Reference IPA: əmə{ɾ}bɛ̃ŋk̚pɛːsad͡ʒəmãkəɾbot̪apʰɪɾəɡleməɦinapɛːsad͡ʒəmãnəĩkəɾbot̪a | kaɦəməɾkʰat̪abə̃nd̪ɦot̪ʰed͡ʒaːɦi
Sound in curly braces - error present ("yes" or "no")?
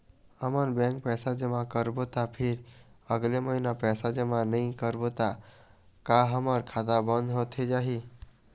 no